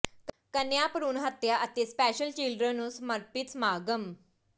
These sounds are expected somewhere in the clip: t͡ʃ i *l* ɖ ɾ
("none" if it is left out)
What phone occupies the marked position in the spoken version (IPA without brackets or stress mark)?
l